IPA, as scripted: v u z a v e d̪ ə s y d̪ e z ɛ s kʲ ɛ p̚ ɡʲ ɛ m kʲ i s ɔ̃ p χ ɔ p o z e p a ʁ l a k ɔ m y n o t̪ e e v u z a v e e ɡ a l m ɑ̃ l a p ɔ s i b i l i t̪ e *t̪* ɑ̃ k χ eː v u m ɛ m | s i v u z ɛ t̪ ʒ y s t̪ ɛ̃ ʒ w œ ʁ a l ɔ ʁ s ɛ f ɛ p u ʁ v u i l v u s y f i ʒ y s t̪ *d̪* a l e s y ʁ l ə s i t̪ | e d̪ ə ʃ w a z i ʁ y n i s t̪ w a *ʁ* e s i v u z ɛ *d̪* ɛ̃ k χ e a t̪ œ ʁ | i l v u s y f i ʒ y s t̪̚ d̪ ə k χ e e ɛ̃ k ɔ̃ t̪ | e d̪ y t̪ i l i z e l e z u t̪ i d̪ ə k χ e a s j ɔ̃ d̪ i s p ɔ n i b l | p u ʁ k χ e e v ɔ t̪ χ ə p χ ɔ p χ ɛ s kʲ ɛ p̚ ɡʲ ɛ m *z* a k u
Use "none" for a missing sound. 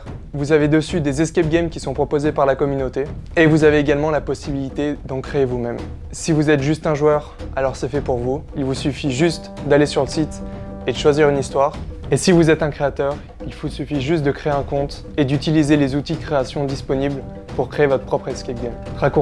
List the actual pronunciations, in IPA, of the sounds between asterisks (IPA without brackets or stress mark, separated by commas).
d̪, d̪, ʁ, t̪, ʁ